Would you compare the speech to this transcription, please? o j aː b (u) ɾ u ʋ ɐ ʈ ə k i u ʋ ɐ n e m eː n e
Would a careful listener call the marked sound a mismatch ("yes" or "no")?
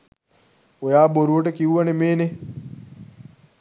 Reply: yes